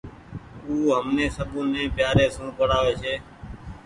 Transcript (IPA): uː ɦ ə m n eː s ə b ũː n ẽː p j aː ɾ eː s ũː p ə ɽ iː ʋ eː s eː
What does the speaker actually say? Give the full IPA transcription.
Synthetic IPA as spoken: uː ɦ ə m n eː s ə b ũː n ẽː p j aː ɾ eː s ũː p ə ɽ aː ʋ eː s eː